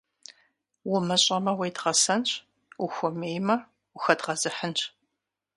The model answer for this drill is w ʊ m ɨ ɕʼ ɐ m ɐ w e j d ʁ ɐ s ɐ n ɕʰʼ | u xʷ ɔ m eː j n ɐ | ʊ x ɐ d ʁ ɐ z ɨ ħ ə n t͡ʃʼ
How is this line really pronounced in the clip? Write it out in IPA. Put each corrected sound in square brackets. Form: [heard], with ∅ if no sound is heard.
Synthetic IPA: w ʊ m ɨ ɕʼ ɐ m ɐ w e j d ʁ ɐ s ɐ n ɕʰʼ | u xʷ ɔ m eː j [m] ɐ | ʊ x ɐ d ʁ ɐ z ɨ ħ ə n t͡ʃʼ